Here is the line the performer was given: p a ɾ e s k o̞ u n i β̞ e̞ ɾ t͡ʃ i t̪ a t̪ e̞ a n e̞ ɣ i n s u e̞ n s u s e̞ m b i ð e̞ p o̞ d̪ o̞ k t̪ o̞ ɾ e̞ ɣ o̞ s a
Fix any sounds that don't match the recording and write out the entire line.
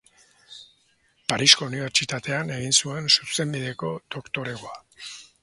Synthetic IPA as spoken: p a ɾ i s k o̞ u n i β̞ e̞ ɾ t͡ʃ i t̪ a t̪ e̞ a n e̞ ɣ i n s u e̞ n s u s e̞ m b i ð e̞ k o̞ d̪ o̞ k t̪ o̞ ɾ e̞ ɣ o̞ a